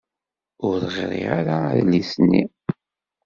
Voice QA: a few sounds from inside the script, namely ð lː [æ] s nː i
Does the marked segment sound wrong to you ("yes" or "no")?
yes